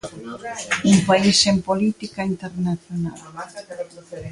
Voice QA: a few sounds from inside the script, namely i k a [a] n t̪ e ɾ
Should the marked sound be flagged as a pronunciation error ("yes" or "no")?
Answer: yes